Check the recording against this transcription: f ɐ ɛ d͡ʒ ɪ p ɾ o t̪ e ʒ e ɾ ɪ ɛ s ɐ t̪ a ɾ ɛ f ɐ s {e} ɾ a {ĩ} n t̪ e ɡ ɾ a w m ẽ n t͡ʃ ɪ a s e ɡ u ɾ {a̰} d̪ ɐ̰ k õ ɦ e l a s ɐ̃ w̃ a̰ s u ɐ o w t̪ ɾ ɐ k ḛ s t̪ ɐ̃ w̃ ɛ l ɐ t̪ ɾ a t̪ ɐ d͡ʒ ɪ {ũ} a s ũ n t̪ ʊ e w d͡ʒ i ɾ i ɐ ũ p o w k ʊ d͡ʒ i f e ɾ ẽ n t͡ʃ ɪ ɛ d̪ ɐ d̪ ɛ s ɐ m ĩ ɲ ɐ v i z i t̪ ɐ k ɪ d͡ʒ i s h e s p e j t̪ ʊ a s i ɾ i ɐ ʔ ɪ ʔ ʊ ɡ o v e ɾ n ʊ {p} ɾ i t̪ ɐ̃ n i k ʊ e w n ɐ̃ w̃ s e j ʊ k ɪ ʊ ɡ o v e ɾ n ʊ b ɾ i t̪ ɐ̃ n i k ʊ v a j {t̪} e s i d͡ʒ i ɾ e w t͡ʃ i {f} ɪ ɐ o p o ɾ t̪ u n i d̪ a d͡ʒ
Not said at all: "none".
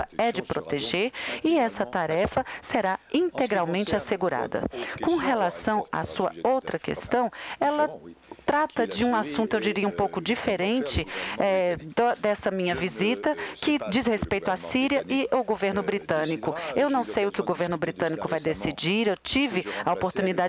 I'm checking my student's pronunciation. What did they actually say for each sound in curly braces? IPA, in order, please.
e, ĩ, a̰, ũ, b, d̪, v

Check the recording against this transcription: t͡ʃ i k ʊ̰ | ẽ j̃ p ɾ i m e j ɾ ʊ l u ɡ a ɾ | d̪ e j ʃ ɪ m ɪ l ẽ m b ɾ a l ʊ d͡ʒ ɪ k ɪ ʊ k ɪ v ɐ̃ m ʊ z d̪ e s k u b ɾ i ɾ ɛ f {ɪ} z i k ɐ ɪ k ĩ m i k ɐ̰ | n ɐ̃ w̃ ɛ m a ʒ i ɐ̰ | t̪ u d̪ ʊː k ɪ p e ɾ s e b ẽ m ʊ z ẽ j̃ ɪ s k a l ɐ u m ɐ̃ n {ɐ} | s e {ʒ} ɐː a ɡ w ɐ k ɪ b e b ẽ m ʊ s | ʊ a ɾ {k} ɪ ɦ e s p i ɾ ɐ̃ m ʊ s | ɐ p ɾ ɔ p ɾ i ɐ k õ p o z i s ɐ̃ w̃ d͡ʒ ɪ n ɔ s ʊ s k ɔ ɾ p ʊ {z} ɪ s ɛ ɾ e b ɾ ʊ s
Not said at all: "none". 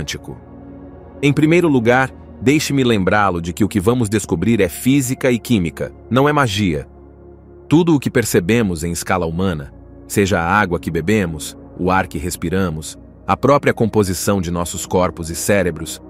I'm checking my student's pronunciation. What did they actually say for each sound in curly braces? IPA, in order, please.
i, ɐ, ʒ, k, z

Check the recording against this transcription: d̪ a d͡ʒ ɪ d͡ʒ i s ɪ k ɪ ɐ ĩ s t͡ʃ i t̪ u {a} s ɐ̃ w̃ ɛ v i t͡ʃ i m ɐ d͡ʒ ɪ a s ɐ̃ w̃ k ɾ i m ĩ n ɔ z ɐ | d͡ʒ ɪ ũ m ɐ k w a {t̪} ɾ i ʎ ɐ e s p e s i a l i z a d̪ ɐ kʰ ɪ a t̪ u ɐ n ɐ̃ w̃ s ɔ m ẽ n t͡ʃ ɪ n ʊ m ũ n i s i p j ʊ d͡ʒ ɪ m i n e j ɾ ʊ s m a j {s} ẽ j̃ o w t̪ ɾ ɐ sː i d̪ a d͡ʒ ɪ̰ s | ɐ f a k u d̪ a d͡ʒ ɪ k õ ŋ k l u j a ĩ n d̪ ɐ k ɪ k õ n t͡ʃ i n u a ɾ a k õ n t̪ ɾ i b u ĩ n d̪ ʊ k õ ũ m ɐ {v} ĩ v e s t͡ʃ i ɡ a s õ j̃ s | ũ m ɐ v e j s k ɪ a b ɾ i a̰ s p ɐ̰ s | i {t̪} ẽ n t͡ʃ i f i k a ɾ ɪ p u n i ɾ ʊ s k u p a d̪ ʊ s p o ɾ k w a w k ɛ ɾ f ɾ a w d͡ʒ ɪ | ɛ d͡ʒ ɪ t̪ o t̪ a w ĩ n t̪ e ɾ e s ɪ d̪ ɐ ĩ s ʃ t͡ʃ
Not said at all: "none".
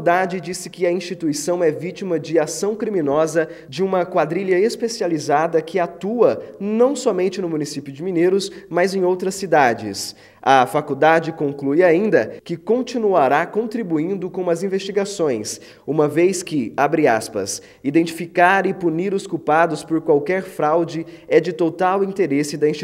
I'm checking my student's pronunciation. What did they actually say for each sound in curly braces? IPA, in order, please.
i, d̪, z, z, d̪

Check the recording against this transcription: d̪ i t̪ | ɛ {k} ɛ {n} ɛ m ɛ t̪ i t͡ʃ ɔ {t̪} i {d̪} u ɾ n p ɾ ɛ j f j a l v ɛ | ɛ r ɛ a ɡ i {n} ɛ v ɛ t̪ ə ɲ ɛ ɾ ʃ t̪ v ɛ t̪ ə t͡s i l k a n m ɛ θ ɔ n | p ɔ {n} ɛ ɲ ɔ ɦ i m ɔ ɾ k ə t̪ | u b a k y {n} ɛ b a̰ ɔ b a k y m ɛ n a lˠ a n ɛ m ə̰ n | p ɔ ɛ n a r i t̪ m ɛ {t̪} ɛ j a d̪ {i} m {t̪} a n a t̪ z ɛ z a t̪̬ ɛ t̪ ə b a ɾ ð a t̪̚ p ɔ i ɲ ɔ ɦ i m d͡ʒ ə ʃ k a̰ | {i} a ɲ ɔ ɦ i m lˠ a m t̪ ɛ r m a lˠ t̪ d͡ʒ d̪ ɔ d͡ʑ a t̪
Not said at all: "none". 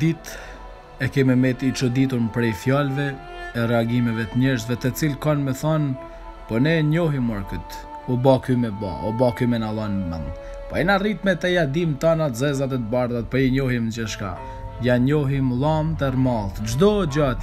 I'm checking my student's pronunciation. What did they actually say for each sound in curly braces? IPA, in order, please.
k, m, d̪, t̪, m, n, m, t̪, i, t̪, j

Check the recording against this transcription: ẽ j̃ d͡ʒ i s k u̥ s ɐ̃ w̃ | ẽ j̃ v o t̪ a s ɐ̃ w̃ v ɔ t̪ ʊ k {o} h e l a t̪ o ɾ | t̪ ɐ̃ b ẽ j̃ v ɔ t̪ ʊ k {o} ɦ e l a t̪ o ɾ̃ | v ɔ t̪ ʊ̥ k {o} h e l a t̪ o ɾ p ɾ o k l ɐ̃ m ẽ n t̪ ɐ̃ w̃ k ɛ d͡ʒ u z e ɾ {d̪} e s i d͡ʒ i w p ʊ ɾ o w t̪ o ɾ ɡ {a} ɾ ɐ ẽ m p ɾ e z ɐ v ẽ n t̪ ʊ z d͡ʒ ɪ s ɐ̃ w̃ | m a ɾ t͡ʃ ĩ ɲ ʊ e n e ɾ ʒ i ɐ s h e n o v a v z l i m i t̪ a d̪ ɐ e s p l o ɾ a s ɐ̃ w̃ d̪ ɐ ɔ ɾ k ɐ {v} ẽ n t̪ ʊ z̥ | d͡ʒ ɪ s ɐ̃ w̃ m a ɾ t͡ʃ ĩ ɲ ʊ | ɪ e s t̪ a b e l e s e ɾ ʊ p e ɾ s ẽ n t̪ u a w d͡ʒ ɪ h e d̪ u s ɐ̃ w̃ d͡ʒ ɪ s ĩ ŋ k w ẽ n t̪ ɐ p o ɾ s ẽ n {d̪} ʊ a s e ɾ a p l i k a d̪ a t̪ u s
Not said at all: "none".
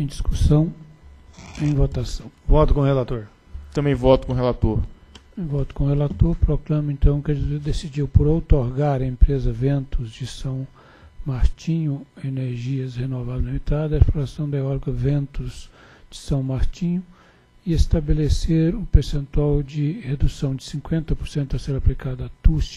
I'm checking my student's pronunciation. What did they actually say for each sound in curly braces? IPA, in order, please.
õ, õ, õ, d̪, a, v, t̪

